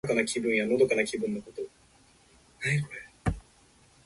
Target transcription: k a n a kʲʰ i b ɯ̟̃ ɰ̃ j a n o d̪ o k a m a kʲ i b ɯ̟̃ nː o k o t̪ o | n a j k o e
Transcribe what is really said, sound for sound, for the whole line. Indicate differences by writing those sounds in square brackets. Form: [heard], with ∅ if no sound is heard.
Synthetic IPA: k a n a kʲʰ i b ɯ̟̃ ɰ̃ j a n o d̪ o k a [n] a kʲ i b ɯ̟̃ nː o k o t̪ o | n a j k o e